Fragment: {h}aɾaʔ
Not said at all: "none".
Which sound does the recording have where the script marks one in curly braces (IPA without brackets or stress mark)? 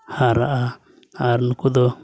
h